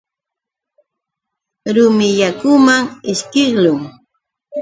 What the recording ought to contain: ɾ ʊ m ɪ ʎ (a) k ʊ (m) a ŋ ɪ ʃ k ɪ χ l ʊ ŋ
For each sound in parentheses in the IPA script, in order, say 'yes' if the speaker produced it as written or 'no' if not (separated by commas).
yes, yes